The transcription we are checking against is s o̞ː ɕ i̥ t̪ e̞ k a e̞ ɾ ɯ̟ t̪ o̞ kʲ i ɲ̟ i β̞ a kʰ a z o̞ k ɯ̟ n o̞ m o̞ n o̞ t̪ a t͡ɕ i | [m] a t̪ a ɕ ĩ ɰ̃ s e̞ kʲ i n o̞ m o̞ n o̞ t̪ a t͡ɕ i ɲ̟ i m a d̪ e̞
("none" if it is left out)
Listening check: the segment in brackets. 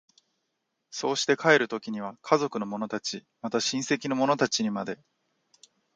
m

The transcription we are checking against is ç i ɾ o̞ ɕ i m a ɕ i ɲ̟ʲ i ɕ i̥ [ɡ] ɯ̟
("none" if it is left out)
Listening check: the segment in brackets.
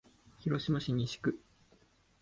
k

